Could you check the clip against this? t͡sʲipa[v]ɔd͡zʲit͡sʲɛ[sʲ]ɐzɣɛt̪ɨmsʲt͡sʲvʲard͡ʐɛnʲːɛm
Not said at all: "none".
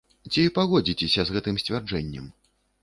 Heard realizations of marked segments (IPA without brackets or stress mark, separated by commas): ɣ, sʲ